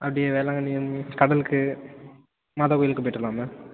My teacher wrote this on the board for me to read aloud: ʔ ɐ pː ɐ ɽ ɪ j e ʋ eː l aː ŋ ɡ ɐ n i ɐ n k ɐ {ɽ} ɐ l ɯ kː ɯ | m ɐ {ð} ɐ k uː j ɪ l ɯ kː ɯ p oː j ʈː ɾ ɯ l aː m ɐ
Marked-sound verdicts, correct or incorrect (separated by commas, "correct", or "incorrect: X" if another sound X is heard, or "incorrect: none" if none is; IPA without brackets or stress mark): correct, correct